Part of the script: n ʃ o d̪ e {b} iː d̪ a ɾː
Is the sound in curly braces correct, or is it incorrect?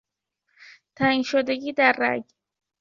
incorrect